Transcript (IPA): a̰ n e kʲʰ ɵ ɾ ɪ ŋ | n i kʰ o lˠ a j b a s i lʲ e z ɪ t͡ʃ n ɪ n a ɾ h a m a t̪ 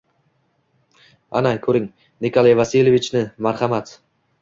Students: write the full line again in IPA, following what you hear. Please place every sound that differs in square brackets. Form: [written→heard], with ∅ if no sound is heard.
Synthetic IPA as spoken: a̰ n [e→a] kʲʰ ɵ ɾ ɪ ŋ | n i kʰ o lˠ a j [b→v] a s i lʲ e [z→v] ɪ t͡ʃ n ɪ [n→m] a ɾ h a m a t̪